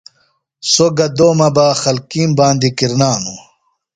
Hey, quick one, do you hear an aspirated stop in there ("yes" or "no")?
no